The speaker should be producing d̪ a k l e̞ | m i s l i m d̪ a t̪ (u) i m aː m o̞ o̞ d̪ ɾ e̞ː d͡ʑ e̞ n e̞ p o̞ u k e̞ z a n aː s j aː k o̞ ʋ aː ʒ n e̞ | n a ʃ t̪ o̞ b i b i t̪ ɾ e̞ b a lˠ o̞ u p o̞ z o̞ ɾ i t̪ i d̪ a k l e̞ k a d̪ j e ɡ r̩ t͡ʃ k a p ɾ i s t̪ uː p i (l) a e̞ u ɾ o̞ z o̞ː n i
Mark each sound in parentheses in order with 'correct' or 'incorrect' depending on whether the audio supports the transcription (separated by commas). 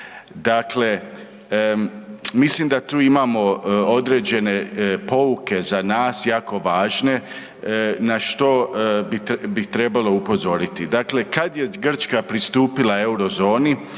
incorrect, correct